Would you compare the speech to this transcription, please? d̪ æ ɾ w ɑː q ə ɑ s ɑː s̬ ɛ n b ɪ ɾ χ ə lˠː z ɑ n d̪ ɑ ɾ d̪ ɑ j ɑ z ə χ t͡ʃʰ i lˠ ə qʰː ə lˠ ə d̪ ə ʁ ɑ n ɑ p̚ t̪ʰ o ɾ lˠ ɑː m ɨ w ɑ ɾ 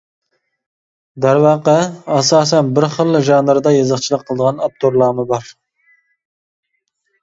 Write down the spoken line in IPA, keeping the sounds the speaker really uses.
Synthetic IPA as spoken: d̪ æ ɾ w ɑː q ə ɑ s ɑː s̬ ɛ n b ɪ ɾ χ ə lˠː ʒ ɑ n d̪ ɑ ɾ d̪ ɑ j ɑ z ə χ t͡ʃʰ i lˠ ə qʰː ə lˠ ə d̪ ə ʁ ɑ n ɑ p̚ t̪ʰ o ɾ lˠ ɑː m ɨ b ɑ ɾ